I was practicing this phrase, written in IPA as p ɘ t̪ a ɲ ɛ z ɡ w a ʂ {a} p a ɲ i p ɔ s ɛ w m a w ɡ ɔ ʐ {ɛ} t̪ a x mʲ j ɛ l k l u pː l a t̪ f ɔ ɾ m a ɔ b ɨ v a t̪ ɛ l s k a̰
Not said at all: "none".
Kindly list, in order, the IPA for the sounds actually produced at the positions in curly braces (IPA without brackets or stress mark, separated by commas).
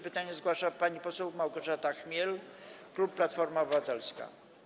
a, a